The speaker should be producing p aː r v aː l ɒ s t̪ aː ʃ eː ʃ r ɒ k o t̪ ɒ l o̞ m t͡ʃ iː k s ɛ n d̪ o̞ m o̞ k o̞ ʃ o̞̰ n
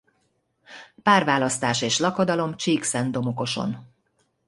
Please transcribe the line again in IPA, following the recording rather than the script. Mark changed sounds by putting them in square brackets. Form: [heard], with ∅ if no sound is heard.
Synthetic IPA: p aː r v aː l ɒ s t̪ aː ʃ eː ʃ [l] ɒ k o [d̪] ɒ l o̞ m t͡ʃ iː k s ɛ n d̪ o̞ m o̞ k o̞ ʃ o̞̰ n